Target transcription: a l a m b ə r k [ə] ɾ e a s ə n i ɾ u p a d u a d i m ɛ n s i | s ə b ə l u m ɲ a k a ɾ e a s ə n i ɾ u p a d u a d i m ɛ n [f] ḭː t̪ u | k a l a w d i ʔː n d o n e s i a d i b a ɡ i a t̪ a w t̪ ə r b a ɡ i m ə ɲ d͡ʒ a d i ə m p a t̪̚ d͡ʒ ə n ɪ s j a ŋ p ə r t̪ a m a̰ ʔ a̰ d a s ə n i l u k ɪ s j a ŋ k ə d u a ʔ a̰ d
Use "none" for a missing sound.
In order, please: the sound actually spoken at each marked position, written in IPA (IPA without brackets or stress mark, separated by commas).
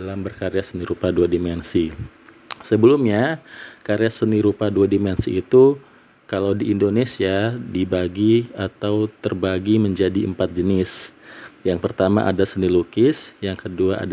a, s